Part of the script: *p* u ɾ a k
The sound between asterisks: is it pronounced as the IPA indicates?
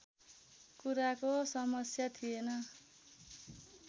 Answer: no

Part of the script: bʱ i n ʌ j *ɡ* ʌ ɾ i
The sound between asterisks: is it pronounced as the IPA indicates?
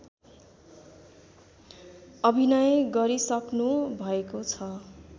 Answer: yes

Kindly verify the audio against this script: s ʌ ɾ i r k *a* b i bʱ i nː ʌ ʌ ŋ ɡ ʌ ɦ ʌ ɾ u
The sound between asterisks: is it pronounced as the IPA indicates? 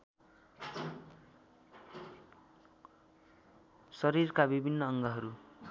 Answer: yes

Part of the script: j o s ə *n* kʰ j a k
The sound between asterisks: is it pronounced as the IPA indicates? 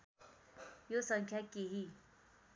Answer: no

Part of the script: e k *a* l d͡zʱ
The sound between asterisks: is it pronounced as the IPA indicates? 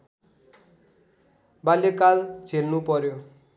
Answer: yes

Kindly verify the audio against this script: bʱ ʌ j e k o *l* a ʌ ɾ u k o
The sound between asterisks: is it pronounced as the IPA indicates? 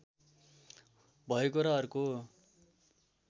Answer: no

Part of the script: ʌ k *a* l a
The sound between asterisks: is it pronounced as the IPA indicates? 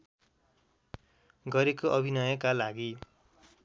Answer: yes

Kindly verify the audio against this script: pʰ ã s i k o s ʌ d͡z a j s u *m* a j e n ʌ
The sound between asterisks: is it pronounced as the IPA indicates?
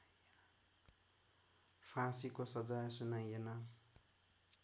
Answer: no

